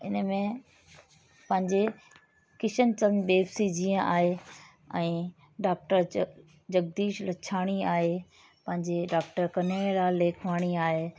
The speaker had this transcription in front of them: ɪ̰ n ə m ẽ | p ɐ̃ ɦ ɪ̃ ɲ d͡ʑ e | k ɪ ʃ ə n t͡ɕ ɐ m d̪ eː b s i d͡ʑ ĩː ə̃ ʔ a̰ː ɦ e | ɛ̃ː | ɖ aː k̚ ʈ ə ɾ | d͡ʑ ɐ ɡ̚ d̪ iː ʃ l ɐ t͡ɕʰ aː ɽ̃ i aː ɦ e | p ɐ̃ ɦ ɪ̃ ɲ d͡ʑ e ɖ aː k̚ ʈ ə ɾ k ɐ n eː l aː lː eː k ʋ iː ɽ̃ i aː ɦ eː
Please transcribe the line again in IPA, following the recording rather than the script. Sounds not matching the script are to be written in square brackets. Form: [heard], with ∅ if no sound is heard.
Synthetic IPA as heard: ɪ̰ n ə m ẽ | p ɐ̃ ɦ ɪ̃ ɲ d͡ʑ e | k ɪ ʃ ə n t͡ɕ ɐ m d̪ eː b s i d͡ʑ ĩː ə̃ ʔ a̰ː ɦ e | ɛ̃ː | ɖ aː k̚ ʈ ə ɾ | d͡ʑ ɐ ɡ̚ d̪ iː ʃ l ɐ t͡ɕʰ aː ɽ̃ i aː ɦ e | p ɐ̃ ɦ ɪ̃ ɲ d͡ʑ e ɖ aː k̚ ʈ ə ɾ k ɐ n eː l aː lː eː [kʰ] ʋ [aː] ɽ̃ i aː ɦ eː

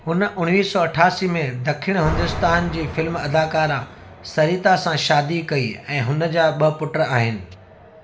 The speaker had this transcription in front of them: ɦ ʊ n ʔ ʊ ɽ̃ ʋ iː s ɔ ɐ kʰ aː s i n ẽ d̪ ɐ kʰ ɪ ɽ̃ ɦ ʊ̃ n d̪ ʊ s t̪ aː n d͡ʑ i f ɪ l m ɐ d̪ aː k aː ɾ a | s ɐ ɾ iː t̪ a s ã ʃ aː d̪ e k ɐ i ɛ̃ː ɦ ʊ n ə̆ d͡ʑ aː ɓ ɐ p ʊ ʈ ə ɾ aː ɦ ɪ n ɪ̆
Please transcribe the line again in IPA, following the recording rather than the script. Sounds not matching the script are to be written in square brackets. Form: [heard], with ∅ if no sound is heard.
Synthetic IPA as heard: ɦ ʊ n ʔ ʊ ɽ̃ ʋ iː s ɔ ɐ [ʈʰ] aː s i [m] ẽ d̪ ɐ kʰ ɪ ɽ̃ ɦ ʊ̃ n d̪ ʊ s t̪ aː n d͡ʑ [iː] f ɪ l m ɐ d̪ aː k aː ɾ a | s ɐ ɾ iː t̪ a s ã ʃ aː d̪ [i] k ɐ i ɛ̃ː ɦ ʊ n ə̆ d͡ʑ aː ɓ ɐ p ʊ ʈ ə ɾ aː ɦ ɪ n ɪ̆

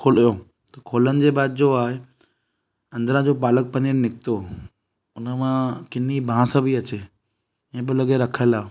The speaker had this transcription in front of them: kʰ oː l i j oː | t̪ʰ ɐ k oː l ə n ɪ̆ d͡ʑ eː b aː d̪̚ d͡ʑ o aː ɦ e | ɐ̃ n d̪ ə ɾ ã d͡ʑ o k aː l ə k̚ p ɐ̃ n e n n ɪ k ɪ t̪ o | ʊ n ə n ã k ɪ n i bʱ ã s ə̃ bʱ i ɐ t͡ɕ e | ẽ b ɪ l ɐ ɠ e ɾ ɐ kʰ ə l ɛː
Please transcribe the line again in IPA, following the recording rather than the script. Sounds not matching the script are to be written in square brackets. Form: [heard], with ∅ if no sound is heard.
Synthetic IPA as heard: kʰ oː l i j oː | [t̪] ɐ [kʰ] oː l ə n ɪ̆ d͡ʑ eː b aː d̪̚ d͡ʑ o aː ɦ e | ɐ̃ n d̪ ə ɾ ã d͡ʑ o [p] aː l ə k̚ p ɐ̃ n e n n ɪ k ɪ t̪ o | ʊ n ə [m] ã k ɪ n i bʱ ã s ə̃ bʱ i ɐ t͡ɕ e | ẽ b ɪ l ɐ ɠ e ɾ ɐ kʰ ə l [aː]

